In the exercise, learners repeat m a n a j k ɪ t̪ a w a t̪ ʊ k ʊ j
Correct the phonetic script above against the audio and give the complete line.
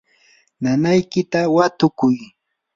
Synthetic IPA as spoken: n a n a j k ɪ t̪ a w a t̪ ʊ k ʊ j